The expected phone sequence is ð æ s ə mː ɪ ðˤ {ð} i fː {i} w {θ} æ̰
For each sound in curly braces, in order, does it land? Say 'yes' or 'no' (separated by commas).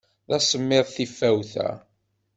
no, no, yes